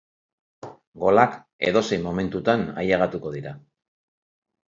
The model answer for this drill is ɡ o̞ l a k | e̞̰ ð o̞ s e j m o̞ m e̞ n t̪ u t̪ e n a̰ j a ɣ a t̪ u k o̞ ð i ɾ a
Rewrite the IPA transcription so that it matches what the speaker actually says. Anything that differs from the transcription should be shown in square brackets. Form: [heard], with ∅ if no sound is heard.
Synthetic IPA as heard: ɡ o̞ l a k | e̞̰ ð o̞ s e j m o̞ m e̞ n t̪ u t̪ [a] n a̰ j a ɣ a t̪ u k o̞ ð i ɾ a

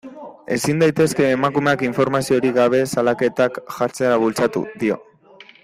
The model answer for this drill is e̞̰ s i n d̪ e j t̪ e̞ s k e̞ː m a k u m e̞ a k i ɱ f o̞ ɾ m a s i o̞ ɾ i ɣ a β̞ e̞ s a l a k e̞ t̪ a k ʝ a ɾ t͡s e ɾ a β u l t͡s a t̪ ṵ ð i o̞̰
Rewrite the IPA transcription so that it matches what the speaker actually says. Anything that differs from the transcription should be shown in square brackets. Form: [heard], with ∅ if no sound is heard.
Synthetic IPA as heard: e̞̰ s i n d̪ [a] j t̪ e̞ s k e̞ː m a k u m e̞ a k i ɱ f o̞ ɾ m a s i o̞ ɾ i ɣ a β̞ e̞ s a l a k e̞ t̪ a k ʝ a ɾ t͡s e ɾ a β u l t͡s a t̪ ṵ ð i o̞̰

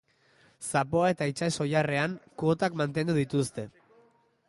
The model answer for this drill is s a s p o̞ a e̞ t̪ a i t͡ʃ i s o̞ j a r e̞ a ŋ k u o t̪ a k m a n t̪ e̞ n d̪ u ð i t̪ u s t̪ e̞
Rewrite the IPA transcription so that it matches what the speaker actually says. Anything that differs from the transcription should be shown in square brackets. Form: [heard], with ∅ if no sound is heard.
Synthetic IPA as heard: s a [∅] p o̞ a e̞ t̪ a i t͡ʃ [a] s o̞ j a r e̞ a ŋ k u o t̪ a k m a n t̪ e̞ n d̪ u ð i t̪ u s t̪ e̞

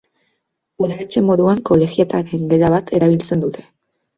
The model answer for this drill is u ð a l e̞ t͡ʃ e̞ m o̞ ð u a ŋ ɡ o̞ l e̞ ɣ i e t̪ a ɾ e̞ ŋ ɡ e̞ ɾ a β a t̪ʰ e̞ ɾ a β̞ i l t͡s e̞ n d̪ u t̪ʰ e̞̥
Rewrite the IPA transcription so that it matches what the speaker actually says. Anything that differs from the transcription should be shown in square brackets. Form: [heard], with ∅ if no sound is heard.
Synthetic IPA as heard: u ð a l e̞ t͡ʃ e̞ m o̞ ð u a ŋ [k] o̞ l e̞ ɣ i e t̪ a ɾ e̞ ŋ ɡ e̞ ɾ a β a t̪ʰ e̞ ɾ a β̞ i l t͡s e̞ n d̪ u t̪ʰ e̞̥

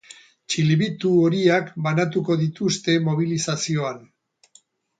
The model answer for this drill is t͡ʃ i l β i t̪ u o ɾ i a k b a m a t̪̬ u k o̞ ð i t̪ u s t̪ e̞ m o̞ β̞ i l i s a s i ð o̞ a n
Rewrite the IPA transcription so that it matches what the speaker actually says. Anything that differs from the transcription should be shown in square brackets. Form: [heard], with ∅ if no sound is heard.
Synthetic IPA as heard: t͡ʃ i l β i t̪ u o ɾ i a k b a [n] a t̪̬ u k o̞ ð i t̪ u s t̪ e̞ m o̞ β̞ i l i s a s i [∅] o̞ a n

